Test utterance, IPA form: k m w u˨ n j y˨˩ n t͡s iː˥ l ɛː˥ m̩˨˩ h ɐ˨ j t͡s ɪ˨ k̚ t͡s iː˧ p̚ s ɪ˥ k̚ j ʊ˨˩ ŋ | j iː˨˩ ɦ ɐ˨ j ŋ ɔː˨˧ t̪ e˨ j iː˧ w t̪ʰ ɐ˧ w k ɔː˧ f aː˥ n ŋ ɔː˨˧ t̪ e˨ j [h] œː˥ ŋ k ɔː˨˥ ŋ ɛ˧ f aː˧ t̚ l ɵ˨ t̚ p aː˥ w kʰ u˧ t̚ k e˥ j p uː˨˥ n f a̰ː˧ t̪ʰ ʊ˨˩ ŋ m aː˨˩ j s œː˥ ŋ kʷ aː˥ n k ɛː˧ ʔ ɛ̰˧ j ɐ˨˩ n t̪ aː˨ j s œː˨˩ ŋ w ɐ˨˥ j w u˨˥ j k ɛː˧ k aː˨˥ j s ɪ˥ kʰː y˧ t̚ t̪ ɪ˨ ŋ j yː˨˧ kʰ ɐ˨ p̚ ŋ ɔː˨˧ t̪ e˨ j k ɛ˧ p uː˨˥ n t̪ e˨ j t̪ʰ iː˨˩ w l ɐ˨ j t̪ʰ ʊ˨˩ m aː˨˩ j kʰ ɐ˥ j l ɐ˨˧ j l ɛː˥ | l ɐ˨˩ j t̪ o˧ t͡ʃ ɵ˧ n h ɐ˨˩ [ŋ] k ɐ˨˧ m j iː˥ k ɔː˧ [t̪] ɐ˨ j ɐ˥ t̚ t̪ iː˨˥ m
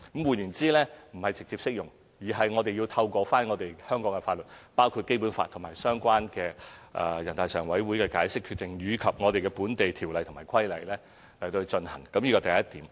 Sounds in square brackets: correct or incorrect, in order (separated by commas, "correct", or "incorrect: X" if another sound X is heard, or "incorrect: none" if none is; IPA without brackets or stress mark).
correct, correct, correct